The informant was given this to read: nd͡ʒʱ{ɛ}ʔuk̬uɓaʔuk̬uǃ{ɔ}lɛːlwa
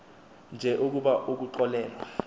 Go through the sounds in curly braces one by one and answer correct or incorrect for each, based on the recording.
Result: correct, correct

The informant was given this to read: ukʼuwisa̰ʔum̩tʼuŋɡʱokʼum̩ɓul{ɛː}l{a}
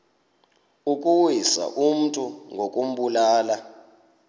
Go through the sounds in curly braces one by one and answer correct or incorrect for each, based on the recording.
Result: incorrect: aː, correct

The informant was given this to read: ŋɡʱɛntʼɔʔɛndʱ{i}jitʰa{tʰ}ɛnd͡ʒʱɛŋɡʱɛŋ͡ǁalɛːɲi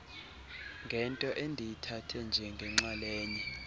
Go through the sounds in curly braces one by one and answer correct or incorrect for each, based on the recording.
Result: correct, correct

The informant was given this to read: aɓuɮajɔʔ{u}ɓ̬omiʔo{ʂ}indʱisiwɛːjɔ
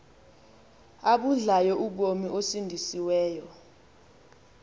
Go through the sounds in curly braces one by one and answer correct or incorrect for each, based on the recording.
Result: correct, incorrect: s

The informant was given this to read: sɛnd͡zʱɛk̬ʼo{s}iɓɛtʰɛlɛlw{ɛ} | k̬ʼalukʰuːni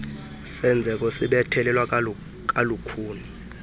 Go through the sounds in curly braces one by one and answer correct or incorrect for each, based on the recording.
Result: correct, incorrect: a

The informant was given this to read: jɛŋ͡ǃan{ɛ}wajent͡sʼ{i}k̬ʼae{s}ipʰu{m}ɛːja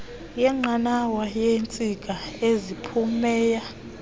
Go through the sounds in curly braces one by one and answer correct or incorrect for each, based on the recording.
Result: incorrect: a, correct, incorrect: z, correct

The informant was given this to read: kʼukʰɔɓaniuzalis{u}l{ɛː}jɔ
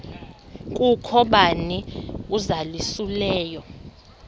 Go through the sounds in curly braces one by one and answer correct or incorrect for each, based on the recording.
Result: correct, correct

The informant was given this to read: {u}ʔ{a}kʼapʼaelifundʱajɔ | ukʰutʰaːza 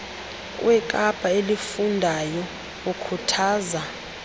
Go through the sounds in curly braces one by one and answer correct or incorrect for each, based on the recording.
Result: incorrect: w, incorrect: ɛ

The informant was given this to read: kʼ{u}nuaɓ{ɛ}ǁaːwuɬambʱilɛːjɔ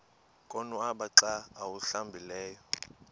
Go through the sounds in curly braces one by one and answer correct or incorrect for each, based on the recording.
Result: incorrect: ɔ, incorrect: a

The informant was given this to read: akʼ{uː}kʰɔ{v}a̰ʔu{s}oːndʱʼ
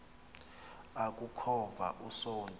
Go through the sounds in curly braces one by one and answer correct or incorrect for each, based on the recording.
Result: incorrect: u, correct, correct

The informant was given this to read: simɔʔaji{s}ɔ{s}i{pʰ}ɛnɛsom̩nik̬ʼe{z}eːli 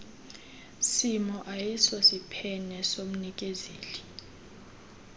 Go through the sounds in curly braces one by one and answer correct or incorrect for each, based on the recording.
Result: correct, correct, correct, correct

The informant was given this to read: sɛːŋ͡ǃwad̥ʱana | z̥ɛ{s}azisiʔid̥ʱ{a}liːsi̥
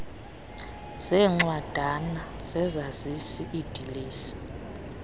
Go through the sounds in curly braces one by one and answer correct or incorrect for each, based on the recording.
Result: incorrect: z, incorrect: i

